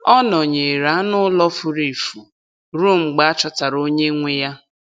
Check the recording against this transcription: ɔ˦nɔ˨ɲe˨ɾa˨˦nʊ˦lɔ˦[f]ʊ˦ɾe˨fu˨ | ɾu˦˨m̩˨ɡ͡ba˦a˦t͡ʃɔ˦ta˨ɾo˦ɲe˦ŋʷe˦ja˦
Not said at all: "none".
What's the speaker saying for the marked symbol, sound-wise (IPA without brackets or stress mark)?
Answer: f